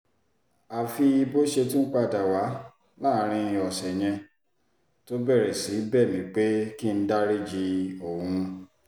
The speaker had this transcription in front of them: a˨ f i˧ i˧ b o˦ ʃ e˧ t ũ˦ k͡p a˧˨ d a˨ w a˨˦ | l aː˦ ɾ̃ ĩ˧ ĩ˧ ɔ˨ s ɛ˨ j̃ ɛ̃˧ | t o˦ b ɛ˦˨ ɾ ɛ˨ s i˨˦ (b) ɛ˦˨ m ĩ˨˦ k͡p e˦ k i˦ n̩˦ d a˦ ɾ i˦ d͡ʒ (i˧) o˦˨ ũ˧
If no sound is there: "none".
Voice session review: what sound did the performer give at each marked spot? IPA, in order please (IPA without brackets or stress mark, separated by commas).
b, i˧